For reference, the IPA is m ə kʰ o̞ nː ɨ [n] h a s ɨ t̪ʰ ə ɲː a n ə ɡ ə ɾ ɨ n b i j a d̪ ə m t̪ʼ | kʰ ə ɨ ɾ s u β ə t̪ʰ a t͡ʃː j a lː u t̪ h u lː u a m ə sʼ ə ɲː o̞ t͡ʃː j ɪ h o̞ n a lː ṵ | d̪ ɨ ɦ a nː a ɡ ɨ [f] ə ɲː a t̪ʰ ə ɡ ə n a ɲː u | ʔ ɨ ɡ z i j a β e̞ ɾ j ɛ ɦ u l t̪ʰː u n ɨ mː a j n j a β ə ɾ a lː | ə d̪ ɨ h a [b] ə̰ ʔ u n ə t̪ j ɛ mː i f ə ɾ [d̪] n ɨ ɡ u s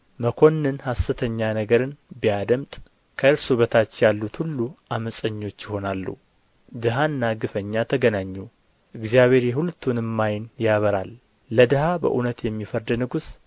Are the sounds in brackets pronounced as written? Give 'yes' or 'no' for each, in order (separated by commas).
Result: yes, yes, yes, yes